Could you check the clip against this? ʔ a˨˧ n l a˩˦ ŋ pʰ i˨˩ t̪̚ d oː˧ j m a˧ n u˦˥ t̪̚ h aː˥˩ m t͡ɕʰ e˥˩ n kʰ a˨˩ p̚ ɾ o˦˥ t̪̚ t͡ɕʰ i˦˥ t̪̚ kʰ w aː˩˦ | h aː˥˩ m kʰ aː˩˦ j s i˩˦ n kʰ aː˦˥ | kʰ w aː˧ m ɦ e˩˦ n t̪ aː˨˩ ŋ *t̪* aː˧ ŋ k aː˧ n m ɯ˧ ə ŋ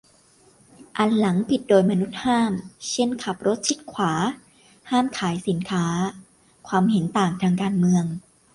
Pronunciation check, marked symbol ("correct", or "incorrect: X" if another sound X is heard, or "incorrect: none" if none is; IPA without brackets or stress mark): incorrect: t̪ʰ